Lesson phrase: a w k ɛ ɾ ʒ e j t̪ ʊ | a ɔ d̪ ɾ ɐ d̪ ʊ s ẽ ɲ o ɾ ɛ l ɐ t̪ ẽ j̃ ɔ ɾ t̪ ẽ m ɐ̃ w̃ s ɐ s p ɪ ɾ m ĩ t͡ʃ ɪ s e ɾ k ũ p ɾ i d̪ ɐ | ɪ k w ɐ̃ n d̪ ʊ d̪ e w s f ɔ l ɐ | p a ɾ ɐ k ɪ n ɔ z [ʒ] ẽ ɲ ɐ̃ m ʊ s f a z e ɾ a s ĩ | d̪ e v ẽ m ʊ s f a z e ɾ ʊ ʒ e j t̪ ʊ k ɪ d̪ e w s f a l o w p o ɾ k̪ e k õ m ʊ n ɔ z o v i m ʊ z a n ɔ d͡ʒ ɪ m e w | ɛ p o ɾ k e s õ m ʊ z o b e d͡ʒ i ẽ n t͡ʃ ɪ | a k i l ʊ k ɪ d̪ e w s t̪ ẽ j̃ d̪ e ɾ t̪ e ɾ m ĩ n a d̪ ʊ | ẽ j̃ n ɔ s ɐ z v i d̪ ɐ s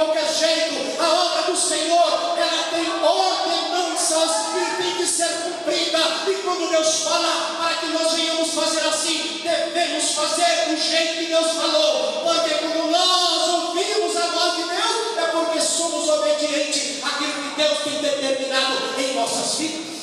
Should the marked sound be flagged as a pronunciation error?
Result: yes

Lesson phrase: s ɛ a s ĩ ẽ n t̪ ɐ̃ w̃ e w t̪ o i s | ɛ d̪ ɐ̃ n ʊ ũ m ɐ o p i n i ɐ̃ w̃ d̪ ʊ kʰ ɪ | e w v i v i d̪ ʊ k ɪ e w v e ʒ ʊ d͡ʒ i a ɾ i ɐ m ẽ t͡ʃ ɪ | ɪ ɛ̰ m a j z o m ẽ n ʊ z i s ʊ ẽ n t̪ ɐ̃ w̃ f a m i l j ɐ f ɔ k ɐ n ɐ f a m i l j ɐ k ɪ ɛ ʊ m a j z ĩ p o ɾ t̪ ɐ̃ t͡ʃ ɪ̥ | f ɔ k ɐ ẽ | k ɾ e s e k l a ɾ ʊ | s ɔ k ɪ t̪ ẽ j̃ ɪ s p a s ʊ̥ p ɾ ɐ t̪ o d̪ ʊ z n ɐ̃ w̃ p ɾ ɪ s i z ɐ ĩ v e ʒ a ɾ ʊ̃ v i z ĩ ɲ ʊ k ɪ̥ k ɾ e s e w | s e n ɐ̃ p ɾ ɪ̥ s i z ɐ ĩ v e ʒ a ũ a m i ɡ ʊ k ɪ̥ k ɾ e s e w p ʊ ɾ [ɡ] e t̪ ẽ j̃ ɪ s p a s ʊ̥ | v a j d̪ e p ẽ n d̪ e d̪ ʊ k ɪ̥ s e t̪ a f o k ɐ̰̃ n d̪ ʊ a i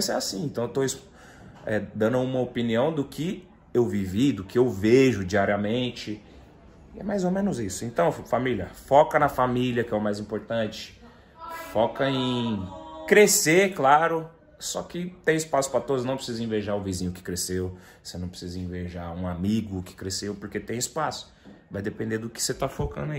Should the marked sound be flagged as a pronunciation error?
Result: yes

